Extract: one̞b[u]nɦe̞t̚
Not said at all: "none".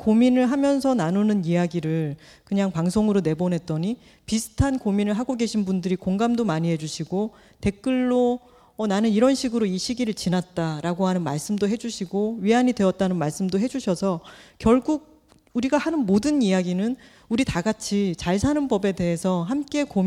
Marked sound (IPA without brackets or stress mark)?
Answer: o